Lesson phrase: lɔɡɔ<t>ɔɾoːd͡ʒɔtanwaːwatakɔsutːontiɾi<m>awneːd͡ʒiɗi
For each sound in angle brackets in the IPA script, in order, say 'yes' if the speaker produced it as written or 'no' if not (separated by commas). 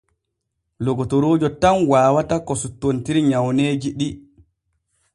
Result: yes, no